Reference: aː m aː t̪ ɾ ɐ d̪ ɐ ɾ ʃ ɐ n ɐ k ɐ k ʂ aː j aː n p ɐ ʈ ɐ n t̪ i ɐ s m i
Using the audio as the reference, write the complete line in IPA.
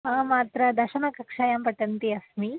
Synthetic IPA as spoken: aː m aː t̪ ɾ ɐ d̪ ɐ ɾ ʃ ɐ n ɐ k ɐ k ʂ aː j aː m p ɐ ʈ ɐ n t̪ i ɐ s m i